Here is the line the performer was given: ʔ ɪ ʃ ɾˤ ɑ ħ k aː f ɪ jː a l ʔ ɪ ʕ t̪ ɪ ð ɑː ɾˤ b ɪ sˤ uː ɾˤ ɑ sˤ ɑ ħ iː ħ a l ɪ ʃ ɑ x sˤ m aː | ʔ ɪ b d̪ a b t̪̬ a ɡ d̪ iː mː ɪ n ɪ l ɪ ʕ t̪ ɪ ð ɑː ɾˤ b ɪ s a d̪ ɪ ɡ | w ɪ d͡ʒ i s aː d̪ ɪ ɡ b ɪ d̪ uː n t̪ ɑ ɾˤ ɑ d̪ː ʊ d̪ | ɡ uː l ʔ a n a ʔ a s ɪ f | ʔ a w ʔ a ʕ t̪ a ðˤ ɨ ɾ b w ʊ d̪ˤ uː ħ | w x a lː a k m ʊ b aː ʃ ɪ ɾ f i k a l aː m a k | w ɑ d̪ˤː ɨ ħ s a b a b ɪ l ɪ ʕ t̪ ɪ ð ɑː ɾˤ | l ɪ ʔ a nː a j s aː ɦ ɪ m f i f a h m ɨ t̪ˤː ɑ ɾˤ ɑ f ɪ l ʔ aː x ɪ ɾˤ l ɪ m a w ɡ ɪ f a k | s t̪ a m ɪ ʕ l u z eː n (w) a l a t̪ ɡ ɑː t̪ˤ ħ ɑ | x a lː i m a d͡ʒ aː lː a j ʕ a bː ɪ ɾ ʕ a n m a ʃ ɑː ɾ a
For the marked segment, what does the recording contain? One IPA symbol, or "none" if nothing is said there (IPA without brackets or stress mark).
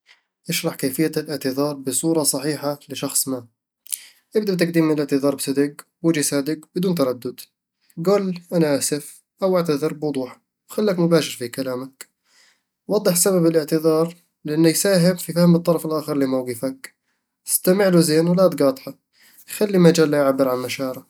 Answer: w